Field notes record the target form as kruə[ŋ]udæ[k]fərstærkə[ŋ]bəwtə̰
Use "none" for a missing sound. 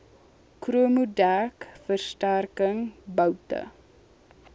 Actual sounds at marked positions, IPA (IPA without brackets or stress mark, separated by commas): m, k, ŋ